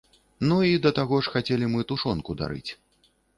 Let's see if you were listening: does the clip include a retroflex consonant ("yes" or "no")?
yes